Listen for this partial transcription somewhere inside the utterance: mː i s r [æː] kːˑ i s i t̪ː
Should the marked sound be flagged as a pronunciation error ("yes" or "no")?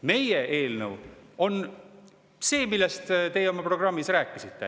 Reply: no